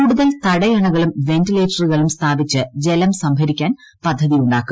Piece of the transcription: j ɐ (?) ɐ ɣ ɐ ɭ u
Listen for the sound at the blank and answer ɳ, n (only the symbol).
ɳ